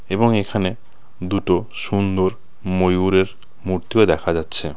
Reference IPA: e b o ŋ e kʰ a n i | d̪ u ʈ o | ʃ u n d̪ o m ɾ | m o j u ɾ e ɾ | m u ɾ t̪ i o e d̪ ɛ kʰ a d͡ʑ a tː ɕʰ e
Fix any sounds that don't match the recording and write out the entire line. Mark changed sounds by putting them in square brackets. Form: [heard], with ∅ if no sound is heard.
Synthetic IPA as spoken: e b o ŋ e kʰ a n [e] | d̪ u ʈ o | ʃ u n d̪ o [∅] ɾ | m o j u ɾ e ɾ | m u ɾ t̪ i o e d̪ ɛ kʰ a d͡ʑ a tː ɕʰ e